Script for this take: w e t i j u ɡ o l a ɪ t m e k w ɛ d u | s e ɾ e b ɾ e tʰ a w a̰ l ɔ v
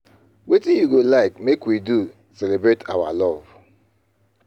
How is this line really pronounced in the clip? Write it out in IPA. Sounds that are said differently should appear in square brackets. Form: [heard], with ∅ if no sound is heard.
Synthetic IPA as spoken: w e t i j u ɡ o l a ɪ [k] m e k w [i] d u | s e [l] e b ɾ e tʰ a w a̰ l ɔ v

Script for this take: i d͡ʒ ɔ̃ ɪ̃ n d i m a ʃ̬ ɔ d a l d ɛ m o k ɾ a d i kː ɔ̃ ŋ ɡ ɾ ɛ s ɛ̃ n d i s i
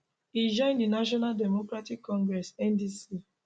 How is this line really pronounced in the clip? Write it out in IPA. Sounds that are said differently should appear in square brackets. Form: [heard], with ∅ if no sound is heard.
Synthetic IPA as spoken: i d͡ʒ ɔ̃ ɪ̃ n d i [n] a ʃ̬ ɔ [n] a l d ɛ m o k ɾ a [t] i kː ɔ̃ ŋ ɡ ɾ ɛ s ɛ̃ n d i s i

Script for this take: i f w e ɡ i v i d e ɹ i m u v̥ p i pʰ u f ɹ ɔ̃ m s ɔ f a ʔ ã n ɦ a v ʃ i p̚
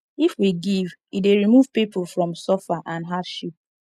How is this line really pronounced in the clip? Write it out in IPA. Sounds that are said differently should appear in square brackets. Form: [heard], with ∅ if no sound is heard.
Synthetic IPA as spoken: i f w [i] ɡ i v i d e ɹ i m u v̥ p i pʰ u f ɹ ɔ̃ m s ɔ f a ʔ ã n ɦ a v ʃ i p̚

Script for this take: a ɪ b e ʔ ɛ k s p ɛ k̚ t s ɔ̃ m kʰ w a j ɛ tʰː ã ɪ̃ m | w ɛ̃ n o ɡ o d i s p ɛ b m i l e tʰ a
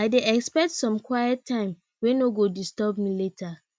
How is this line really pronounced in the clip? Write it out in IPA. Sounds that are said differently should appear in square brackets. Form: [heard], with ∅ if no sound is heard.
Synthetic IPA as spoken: a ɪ [d] e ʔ ɛ k s p ɛ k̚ t s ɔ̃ m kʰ w a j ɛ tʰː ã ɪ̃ m | w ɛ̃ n o ɡ o d i s [t] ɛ b m i l e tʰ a

